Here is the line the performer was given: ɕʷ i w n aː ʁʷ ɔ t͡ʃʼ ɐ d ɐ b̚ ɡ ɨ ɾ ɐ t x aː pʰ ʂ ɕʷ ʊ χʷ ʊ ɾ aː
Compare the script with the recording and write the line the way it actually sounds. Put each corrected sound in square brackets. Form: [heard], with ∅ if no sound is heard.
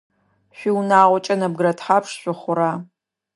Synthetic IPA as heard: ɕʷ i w n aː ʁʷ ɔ t͡ʃʼ ɐ [n] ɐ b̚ ɡ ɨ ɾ ɐ t [ħ] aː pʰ ʂ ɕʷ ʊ χʷ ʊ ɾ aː